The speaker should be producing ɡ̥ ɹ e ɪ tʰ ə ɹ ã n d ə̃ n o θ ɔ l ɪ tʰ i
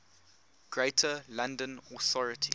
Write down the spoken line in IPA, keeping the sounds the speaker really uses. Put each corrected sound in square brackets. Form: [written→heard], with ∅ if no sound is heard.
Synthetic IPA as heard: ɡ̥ ɹ e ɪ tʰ ə [ɹ→l] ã n d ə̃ n [o→ɔ] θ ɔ [l→ɹ] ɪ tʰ i